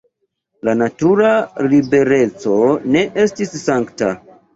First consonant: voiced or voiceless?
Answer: voiced